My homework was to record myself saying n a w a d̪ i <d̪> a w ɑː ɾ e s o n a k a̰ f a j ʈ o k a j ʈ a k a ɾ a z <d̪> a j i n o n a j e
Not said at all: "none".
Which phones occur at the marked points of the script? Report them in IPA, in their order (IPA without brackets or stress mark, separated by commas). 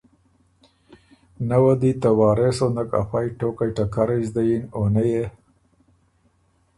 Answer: t̪, d̪